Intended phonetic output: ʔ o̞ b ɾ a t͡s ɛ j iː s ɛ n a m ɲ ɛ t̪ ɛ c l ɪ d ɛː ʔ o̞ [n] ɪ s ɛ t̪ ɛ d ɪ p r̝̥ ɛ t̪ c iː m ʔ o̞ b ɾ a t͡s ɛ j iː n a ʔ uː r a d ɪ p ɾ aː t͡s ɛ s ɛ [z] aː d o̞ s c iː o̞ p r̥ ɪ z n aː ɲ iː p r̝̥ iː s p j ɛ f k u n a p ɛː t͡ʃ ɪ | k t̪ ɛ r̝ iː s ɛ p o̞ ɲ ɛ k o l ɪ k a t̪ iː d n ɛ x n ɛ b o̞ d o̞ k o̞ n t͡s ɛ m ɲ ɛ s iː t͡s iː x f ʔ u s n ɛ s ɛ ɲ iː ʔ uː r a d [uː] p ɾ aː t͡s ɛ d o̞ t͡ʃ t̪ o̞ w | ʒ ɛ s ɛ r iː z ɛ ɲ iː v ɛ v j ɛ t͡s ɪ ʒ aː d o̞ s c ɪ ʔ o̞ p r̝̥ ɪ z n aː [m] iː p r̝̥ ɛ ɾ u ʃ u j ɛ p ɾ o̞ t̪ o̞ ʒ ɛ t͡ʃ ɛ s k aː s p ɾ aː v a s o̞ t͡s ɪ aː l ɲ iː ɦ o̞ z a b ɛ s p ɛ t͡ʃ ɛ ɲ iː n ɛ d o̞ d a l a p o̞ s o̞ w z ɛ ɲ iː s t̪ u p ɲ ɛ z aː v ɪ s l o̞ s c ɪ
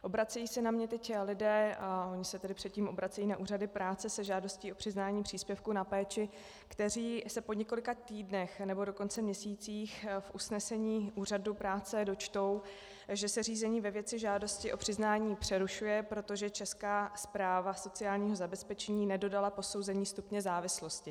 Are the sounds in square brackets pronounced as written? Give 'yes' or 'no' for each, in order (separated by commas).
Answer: no, no, no, no